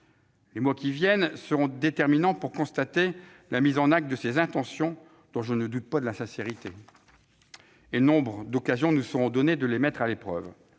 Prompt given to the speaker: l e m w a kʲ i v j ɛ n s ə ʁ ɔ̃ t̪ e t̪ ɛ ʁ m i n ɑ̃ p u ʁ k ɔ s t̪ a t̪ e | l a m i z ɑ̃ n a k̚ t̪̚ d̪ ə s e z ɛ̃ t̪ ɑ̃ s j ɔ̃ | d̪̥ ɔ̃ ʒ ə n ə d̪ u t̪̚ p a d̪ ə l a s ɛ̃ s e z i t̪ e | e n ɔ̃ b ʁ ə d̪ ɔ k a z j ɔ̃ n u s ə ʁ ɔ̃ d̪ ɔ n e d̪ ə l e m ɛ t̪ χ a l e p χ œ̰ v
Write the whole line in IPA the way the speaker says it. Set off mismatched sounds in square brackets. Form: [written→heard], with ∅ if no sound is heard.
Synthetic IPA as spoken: l e m w a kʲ i v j ɛ n s ə ʁ ɔ̃ [t̪→d̪] e t̪ ɛ ʁ m i n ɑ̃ p u ʁ k [ɔ→ɔ̃] s t̪ a t̪ e | l a m i z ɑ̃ n a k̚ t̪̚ d̪ ə s e z ɛ̃ t̪ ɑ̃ s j ɔ̃ | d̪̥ ɔ̃ ʒ ə n ə d̪ u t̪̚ p a d̪ ə l a s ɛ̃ s e [z→ʁ] i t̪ e | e n ɔ̃ b ʁ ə d̪ ɔ k a z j ɔ̃ n u s ə ʁ ɔ̃ d̪ ɔ n e d̪ ə l e m ɛ t̪ χ a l e p χ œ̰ v